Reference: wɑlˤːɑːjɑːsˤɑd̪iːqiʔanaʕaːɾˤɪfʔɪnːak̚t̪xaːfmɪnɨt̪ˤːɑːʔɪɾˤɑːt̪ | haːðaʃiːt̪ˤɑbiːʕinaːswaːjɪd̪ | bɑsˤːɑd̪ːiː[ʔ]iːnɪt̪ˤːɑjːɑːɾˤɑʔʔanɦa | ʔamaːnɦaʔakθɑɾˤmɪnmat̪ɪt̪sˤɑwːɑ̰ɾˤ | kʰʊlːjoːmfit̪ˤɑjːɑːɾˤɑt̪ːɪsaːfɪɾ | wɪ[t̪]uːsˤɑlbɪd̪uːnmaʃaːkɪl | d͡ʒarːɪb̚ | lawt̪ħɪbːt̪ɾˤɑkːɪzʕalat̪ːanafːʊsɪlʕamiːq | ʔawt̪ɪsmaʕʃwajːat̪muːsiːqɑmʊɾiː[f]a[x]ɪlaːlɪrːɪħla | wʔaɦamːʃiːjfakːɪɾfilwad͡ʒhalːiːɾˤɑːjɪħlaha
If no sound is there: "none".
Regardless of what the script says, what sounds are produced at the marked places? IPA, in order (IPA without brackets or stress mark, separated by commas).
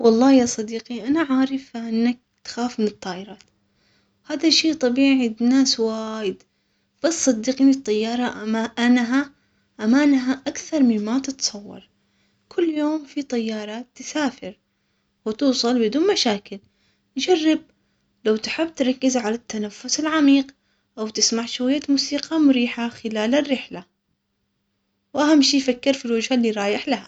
q, t̪, ħ, x